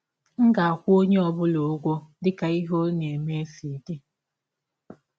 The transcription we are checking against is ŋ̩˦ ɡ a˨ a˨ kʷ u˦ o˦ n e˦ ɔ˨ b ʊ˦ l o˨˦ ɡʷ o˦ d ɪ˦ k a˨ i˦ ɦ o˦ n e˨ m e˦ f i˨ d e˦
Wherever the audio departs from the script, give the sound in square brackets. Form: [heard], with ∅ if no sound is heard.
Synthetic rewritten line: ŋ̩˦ ɡ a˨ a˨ kʷ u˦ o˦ [ɲ] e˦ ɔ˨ b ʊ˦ l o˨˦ ɡʷ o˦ d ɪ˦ k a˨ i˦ ɦ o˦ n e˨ m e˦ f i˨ d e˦